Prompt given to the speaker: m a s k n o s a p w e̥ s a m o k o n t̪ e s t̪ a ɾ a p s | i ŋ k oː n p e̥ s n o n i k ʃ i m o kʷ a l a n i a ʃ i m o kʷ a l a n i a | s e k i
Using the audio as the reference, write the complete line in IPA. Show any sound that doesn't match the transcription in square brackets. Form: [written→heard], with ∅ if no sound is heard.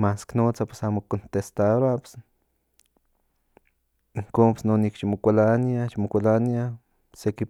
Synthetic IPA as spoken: m a s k n o [s→t͡s] a p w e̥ s a m o k o n t̪ e s t̪ a ɾ a p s | i ŋ k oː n p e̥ s n o n i k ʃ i m o kʷ a l a n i a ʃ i m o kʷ a l a n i a | s e k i